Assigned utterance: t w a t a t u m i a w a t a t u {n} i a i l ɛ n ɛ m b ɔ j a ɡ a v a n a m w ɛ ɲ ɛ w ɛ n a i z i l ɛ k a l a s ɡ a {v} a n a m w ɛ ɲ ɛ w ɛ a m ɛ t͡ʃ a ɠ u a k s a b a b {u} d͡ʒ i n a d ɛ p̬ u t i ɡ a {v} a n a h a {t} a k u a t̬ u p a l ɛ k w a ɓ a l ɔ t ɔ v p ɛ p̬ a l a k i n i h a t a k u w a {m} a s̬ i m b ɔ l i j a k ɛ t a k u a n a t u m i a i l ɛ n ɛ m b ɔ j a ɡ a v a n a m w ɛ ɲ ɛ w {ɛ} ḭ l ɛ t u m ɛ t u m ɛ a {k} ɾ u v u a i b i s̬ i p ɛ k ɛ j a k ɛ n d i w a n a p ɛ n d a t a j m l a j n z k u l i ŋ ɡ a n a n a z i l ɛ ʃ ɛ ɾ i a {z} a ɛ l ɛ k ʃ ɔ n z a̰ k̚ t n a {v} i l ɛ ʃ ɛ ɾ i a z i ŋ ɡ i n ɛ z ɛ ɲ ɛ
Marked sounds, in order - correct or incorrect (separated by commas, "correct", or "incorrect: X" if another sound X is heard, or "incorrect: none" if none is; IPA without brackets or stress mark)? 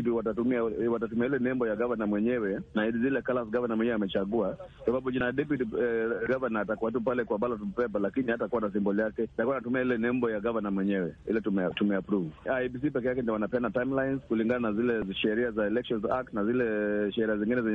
incorrect: m, correct, correct, correct, correct, incorrect: n, correct, incorrect: p, correct, incorrect: z